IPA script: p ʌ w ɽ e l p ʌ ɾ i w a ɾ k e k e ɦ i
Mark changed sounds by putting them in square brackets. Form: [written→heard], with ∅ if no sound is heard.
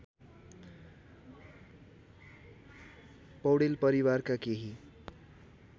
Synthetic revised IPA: p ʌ w ɽ e l p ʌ ɾ i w a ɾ k [e→a] k e ɦ i